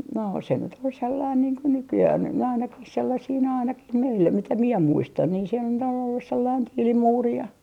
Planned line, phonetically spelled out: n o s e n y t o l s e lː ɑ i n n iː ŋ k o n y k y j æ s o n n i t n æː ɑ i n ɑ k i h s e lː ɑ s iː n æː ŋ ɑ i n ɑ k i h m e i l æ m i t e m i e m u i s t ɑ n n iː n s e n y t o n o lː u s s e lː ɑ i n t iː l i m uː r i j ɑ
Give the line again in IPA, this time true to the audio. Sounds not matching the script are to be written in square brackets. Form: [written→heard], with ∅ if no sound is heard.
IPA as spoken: n o s e n y t o l s e lː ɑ i n n iː ŋ k o n y k y j æ [s→h] o n n [i→y] t n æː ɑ i n ɑ k i h s e lː ɑ s iː n æː [ŋ→∅] ɑ i n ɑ k i h m e i [l→lː] æ m i t [e→æ] m i e m u i s t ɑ n n iː n s e n y t o n o lː u s s e lː ɑ i n t iː l i m uː r i j ɑ